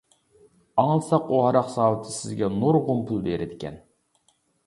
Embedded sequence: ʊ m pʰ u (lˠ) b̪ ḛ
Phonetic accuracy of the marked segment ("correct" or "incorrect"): correct